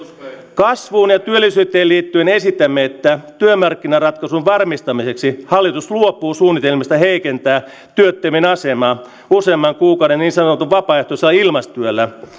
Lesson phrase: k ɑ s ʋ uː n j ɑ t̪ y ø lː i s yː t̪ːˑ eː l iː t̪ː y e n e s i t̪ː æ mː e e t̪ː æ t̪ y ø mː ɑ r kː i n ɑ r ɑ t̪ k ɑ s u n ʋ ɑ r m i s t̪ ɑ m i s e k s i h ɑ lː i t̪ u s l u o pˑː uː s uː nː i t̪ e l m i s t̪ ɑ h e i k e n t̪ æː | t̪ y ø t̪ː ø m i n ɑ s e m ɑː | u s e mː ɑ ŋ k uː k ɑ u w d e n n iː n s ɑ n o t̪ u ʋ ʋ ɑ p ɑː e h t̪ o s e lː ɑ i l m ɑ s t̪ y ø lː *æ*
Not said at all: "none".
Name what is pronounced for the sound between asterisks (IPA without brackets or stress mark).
æ